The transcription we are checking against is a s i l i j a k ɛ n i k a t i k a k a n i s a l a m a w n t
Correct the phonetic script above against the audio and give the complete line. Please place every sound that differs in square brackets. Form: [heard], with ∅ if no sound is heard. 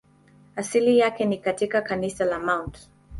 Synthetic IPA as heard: a s i l i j a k ɛ n i k a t i k a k a n i s a l a m a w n t